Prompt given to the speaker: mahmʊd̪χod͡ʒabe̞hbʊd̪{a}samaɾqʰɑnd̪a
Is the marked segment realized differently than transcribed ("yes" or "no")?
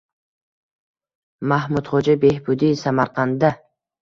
yes